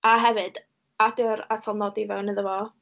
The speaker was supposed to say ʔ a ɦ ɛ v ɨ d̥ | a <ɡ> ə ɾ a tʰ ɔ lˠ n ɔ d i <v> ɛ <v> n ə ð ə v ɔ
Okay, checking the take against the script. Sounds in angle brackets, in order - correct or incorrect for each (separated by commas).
incorrect, correct, incorrect